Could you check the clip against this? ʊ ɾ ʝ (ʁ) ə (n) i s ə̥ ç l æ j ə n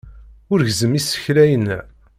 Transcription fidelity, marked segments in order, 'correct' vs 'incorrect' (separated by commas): incorrect, incorrect